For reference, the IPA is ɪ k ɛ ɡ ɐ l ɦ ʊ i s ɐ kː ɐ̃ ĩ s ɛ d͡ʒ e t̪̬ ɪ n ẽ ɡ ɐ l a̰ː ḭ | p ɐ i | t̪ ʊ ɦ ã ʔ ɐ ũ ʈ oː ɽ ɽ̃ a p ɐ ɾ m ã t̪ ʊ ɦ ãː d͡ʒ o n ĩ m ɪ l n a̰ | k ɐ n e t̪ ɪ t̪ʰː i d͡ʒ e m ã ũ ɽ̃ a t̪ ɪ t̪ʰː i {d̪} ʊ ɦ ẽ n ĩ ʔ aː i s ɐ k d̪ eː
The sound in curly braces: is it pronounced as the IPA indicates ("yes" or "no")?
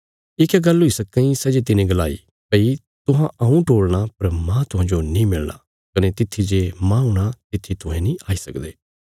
no